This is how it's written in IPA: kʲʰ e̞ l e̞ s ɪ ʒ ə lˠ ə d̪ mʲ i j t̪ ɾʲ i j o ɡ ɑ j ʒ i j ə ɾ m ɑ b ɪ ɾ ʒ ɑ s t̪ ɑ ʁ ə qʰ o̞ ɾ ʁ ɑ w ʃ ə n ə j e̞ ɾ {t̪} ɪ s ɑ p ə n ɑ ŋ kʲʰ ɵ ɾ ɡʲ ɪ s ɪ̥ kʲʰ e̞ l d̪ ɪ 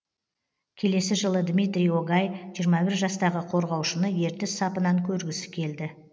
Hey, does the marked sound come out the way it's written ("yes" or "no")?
yes